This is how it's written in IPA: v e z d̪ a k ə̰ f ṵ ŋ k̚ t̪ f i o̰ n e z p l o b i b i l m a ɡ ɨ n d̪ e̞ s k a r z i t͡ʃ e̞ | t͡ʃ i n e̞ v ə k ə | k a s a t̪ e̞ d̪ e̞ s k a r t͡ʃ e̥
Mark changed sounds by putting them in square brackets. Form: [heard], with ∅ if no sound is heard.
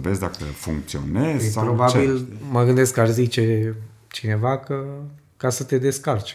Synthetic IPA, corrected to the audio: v e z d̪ a k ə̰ f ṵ ŋ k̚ t̪ [s] i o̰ n e z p [ɾ] o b [a] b i l m [ə] ɡ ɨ n d̪ e̞ s k a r z i t͡ʃ e̞ | t͡ʃ i n e̞ v [a] k ə | k a s [ə] t̪ e̞ d̪ e̞ s k a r t͡ʃ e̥